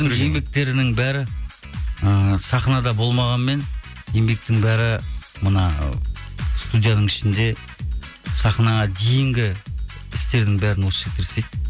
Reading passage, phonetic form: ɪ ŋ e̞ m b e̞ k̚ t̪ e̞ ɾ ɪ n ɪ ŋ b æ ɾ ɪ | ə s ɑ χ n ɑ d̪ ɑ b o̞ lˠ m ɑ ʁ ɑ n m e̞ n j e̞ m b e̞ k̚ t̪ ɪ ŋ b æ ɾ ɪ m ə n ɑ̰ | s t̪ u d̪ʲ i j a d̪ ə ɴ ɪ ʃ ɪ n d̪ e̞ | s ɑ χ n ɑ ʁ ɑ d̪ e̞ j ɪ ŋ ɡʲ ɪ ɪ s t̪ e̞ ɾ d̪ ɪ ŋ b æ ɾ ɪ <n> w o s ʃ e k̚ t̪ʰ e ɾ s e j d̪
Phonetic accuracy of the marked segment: correct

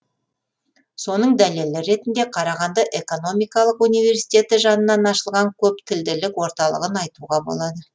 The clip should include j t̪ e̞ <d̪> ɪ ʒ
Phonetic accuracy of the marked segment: incorrect: t̪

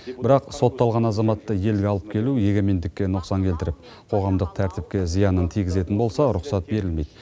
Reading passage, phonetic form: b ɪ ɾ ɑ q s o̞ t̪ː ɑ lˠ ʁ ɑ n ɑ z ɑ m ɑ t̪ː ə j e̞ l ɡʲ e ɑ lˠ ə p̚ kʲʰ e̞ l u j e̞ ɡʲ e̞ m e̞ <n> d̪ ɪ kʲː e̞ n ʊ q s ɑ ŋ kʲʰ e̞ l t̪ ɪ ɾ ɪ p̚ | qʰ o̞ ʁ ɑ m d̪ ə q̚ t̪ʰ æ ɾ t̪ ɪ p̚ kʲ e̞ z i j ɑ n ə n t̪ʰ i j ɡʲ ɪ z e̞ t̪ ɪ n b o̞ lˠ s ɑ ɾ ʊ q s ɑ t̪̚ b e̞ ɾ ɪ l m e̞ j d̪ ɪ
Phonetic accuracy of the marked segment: correct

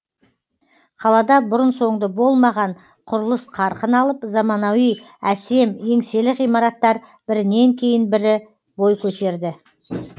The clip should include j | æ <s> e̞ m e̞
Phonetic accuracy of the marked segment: correct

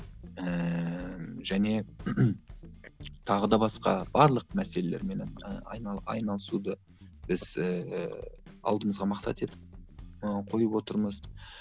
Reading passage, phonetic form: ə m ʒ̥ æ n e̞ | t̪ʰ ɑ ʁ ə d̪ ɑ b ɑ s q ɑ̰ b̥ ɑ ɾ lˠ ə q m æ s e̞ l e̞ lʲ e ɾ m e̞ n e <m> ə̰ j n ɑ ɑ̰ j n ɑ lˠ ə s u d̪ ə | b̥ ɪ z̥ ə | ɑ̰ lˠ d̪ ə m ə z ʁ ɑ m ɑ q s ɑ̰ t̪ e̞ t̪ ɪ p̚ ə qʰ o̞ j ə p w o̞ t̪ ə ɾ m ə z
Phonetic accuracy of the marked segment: incorrect: n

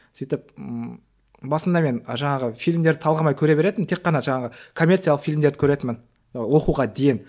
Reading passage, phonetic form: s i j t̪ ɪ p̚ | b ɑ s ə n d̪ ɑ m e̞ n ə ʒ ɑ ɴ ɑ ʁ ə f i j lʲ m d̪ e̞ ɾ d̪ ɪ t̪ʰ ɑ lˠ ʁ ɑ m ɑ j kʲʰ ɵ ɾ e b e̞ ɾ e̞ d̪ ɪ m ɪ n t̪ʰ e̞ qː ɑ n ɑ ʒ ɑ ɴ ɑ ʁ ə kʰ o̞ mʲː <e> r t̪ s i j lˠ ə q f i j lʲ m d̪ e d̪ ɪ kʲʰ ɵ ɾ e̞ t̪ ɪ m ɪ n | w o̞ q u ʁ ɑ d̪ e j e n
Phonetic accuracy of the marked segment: correct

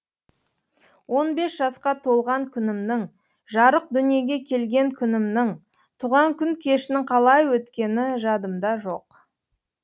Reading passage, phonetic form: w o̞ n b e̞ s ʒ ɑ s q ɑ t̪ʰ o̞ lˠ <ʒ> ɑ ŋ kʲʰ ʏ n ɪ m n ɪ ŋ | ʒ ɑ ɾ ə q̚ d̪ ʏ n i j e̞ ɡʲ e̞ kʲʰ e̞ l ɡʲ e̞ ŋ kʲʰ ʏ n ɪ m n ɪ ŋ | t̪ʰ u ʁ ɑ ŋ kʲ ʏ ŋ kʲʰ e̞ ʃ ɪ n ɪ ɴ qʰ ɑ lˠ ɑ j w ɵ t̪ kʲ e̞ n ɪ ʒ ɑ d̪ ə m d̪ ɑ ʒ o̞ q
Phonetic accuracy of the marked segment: incorrect: ʁ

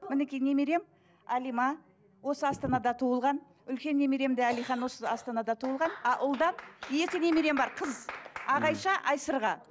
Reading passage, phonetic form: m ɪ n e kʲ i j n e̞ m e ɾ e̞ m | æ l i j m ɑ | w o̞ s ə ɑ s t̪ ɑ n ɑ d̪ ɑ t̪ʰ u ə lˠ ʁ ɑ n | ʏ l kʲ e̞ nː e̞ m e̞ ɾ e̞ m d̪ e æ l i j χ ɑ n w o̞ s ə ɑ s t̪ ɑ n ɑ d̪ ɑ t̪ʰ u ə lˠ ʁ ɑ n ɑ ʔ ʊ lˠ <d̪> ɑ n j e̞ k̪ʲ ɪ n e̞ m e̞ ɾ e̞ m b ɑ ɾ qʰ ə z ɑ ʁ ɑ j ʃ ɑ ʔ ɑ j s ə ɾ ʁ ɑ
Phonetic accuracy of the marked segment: correct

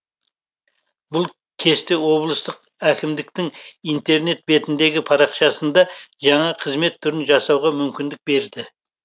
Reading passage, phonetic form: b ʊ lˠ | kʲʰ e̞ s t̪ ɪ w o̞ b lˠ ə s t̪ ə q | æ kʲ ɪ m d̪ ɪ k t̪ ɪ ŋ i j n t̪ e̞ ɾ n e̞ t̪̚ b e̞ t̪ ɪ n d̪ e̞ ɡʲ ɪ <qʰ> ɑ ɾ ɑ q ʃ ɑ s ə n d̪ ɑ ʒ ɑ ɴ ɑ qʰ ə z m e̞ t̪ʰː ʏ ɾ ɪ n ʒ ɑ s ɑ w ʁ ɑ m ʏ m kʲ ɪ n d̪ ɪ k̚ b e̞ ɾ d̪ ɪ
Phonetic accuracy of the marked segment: incorrect: pʰ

